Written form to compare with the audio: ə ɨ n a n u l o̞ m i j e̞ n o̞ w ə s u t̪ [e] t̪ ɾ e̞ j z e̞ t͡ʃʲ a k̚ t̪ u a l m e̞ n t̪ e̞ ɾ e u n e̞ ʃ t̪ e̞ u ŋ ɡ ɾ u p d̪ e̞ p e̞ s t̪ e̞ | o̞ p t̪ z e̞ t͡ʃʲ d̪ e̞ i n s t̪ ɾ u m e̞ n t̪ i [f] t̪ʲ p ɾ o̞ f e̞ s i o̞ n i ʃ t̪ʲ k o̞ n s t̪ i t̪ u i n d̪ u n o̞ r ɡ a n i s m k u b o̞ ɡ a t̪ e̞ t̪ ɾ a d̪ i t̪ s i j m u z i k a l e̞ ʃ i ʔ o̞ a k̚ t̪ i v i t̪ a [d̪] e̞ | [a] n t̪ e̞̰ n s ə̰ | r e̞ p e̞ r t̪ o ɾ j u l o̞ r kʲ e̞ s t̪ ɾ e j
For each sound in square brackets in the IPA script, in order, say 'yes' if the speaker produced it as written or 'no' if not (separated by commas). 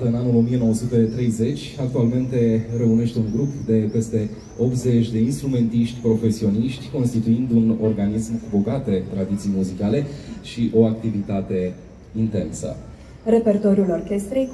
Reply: yes, no, no, no